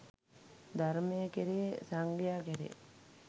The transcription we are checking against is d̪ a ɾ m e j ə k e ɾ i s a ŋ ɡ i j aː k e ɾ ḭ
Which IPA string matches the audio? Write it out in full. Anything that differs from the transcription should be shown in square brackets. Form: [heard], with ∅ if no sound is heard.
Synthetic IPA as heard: d̪ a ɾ m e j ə k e ɾ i s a ŋ ɡ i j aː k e ɾ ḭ